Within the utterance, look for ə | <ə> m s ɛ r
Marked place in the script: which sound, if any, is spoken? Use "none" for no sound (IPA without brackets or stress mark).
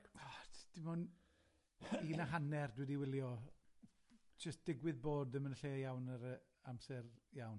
a